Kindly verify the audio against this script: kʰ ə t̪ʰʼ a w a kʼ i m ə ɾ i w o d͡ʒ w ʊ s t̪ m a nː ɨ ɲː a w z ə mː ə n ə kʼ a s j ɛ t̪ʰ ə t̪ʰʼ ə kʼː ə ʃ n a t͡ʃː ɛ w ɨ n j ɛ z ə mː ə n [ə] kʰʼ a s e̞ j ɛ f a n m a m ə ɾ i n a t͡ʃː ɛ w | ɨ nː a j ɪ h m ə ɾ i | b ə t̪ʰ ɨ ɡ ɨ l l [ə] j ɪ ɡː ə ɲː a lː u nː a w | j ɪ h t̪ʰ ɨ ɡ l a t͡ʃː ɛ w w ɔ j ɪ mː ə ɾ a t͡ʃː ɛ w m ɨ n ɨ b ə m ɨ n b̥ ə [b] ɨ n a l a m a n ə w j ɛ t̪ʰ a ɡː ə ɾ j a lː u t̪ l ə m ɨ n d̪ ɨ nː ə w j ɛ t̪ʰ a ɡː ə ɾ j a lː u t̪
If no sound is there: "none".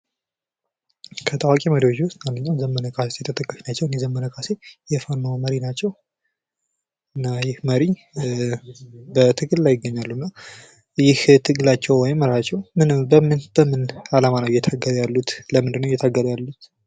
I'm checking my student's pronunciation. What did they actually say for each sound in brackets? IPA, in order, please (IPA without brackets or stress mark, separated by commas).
ə, a, m